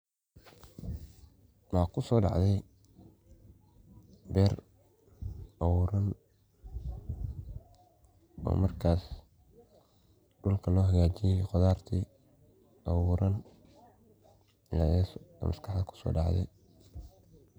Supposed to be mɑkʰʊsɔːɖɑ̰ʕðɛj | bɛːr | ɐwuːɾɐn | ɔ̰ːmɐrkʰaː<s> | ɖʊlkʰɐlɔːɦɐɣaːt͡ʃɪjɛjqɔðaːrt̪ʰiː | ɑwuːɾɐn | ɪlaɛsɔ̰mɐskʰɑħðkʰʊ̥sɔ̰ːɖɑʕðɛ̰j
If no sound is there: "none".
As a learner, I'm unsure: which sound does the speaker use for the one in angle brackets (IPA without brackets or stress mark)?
s